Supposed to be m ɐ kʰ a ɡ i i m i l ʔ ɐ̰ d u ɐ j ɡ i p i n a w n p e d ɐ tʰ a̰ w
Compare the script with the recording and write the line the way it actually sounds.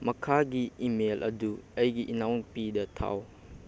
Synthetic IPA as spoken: m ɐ kʰ a ɡ i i m e l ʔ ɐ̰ d u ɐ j ɡ i ʔ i n a w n p i d ɐ tʰ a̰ w